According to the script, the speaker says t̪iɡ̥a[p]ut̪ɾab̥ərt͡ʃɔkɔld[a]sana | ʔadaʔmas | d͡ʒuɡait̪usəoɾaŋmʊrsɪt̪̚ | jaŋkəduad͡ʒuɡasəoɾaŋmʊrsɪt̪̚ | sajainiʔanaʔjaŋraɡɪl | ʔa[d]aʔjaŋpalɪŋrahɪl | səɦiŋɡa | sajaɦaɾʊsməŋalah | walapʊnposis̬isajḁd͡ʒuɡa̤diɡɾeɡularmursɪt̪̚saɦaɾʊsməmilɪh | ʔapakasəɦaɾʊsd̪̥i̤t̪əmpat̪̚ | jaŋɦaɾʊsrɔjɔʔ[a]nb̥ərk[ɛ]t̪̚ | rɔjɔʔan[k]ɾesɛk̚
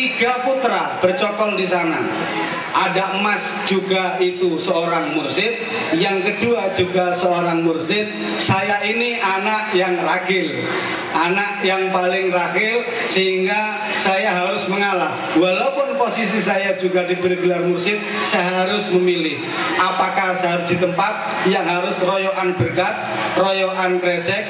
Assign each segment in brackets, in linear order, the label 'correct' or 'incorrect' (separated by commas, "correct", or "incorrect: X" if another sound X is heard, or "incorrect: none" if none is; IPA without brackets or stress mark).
correct, incorrect: i, incorrect: n, correct, incorrect: a, correct